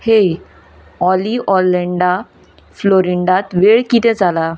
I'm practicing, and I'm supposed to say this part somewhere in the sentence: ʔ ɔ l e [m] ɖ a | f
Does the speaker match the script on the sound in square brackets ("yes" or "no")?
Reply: no